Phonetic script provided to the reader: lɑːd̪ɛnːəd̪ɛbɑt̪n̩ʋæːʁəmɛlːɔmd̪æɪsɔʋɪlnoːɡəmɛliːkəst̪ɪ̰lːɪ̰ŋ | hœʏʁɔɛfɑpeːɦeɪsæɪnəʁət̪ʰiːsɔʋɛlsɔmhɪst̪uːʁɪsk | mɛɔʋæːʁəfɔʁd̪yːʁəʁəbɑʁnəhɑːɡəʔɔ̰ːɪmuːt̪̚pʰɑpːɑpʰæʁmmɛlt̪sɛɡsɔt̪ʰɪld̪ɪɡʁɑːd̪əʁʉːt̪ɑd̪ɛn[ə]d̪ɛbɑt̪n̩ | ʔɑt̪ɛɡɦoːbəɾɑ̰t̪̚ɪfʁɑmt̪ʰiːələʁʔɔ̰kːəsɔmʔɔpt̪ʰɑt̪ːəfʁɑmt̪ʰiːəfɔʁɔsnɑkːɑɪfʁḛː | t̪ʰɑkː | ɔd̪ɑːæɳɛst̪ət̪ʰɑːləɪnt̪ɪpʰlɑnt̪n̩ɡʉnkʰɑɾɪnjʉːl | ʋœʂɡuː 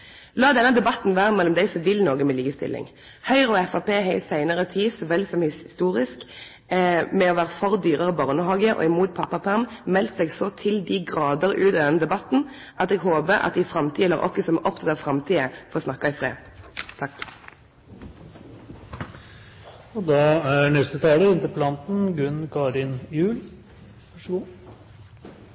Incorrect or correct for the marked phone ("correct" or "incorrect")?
correct